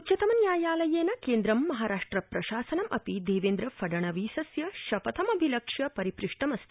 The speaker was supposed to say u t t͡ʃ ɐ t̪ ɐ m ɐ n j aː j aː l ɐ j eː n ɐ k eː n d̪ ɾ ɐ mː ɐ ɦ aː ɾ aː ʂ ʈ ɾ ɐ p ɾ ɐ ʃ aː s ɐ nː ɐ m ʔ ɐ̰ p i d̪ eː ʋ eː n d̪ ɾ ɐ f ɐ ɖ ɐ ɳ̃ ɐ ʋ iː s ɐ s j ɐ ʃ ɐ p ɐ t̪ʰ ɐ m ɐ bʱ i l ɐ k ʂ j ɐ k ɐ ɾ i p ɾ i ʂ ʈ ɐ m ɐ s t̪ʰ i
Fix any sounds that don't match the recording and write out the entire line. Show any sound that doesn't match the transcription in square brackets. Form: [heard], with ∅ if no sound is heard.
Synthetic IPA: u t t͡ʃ ɐ t̪ ɐ m ɐ n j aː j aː l ɐ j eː n ɐ k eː n d̪ ɾ ɐ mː ɐ ɦ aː ɾ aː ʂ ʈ ɾ ɐ p ɾ ɐ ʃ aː s ɐ [n] ɐ m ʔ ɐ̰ p i d̪ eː ʋ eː n d̪ ɾ ɐ f ɐ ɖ ɐ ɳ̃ ɐ ʋ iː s ɐ s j ɐ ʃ ɐ p ɐ t̪ʰ ɐ m ɐ bʱ i l ɐ k ʂ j ɐ [p] ɐ ɾ i p ɾ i ʂ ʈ ɐ m ɐ s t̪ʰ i